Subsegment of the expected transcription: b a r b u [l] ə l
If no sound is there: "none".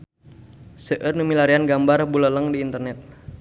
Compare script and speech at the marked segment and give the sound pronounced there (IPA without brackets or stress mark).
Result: l